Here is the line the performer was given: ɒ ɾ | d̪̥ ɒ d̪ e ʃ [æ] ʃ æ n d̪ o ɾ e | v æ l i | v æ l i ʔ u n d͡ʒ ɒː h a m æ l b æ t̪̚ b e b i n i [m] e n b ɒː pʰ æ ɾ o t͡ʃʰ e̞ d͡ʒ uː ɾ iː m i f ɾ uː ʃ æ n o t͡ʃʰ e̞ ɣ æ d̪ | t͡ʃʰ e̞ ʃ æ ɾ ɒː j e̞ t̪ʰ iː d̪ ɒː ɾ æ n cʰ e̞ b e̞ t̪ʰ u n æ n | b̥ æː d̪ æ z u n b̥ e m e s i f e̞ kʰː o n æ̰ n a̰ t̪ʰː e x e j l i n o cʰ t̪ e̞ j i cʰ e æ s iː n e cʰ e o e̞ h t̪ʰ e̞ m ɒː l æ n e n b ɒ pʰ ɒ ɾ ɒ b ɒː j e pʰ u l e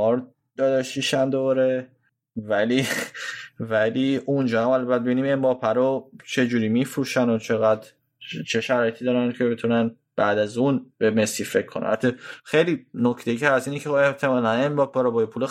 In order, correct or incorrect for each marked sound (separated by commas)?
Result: incorrect, correct